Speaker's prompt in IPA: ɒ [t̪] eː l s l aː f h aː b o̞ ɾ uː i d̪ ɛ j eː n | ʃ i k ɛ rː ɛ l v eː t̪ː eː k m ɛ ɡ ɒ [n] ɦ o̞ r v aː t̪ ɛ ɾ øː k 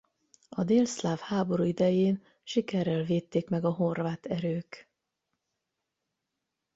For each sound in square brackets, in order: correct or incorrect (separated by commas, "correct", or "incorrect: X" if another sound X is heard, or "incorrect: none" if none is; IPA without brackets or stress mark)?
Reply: incorrect: d̪, incorrect: none